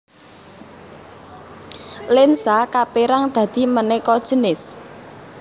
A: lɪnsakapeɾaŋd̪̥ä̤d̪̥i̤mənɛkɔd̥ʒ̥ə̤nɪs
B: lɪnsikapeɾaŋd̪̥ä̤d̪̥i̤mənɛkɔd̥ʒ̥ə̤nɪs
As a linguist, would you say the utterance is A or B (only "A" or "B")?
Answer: A